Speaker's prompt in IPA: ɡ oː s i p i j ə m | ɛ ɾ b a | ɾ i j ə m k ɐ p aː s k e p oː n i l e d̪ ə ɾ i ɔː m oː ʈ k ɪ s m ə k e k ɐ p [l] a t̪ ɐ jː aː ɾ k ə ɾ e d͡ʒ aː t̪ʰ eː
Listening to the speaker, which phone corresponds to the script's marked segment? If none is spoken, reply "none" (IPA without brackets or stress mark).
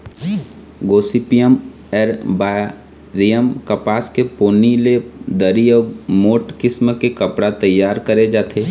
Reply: ɽ